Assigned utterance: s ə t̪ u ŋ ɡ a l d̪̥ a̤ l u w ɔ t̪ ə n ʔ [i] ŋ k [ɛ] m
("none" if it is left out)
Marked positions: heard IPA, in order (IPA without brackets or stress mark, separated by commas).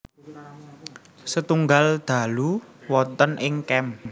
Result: ɪ, ɛ